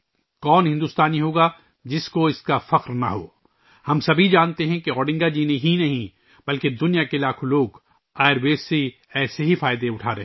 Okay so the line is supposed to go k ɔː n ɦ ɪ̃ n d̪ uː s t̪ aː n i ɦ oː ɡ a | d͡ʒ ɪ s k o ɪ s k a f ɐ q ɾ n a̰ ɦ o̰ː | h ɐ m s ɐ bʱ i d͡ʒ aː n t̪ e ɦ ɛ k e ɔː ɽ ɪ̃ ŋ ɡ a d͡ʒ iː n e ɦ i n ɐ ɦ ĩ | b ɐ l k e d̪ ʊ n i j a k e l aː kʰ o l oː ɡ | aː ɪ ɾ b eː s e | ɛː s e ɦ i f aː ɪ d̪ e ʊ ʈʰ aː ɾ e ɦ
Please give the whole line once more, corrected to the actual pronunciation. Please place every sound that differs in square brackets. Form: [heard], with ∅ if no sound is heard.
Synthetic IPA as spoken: k ɔː n ɦ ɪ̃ n d̪ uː s t̪ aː n i ɦ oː ɡ a | d͡ʒ ɪ s k o ɪ s k a f ɐ q ɾ n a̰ ɦ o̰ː | h ɐ m s ɐ bʱ i d͡ʒ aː n t̪ e ɦ [ɛ̃] k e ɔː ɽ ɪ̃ ŋ ɡ a d͡ʒ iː n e ɦ i n ɐ ɦ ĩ | b ɐ l k e d̪ ʊ n i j a k e l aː kʰ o l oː ɡ | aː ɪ ɾ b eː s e | ɛː s e ɦ i f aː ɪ d̪ e ʊ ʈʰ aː ɾ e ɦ